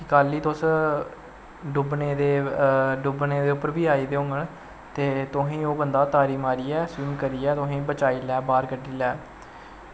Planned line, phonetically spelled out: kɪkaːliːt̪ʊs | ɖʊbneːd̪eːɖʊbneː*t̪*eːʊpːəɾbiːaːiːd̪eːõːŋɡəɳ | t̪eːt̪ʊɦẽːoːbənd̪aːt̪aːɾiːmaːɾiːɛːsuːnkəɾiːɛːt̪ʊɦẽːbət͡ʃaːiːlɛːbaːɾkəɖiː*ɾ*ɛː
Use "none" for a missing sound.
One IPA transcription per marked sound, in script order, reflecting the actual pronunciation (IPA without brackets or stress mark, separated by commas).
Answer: d̪, l